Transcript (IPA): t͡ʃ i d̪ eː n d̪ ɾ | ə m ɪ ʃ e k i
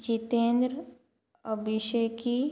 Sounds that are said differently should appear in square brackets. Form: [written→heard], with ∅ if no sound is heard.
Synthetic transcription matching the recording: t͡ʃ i [d̪→t̪] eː n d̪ ɾ | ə [m→b] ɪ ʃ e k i